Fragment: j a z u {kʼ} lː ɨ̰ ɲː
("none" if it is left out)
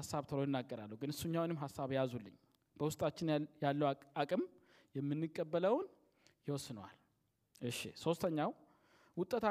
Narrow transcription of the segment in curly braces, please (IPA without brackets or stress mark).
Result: none